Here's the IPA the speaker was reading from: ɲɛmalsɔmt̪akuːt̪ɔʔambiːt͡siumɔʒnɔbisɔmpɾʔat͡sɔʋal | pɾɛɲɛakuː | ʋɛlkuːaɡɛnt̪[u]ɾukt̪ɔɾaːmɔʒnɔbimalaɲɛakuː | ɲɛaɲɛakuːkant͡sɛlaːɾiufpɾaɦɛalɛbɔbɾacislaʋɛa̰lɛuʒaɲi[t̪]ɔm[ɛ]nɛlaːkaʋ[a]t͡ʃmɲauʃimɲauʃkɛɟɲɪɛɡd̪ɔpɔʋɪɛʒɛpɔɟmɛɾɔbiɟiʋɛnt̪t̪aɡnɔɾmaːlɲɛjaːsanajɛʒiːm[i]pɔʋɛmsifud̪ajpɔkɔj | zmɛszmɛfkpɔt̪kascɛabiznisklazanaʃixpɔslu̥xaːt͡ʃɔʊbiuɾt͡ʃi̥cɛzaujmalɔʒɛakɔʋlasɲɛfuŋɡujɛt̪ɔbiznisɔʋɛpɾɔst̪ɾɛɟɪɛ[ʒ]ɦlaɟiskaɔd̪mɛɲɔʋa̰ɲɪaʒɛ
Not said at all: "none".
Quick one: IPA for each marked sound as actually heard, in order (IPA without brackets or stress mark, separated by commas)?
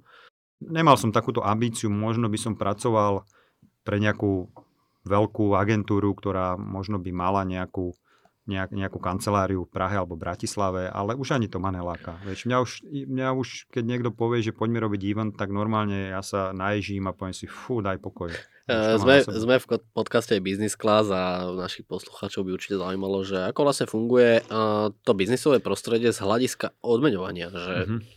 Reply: uː, t̪, a, ɛ, a, z